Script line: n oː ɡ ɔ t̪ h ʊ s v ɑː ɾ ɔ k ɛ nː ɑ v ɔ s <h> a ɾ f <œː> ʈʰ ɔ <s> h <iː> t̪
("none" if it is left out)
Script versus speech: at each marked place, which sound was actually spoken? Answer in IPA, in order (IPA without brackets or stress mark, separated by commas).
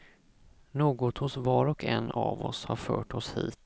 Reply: h, œː, s, iː